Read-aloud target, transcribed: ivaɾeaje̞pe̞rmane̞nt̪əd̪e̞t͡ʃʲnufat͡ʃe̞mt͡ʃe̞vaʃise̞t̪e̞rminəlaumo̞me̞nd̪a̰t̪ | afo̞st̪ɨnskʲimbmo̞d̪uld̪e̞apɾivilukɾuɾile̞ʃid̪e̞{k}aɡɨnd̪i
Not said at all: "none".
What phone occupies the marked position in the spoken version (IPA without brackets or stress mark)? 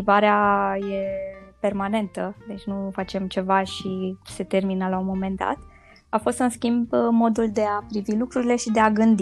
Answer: none